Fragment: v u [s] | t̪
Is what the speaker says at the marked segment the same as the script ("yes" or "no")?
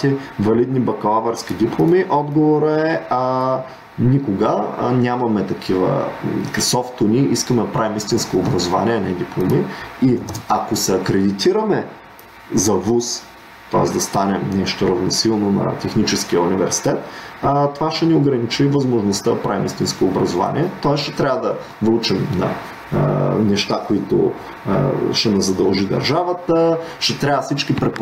yes